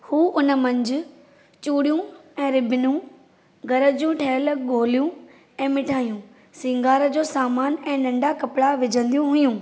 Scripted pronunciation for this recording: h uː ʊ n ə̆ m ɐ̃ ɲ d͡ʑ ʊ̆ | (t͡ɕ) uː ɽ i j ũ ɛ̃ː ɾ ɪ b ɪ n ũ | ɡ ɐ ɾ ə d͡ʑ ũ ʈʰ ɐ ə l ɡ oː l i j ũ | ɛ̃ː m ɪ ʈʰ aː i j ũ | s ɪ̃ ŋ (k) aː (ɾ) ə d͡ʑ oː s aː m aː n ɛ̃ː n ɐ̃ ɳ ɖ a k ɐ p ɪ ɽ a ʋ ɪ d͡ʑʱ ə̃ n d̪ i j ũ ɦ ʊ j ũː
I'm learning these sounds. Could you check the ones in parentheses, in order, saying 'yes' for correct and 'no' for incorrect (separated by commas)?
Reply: yes, no, yes